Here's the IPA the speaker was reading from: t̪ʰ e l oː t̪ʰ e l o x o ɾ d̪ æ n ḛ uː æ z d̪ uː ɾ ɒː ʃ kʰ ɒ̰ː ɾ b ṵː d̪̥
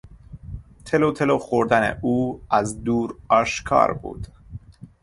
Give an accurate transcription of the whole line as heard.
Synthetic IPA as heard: t̪ʰ e l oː t̪ʰ e l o x o ɾ d̪ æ n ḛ uː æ z d̪ uː ɾ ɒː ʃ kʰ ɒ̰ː ɾ b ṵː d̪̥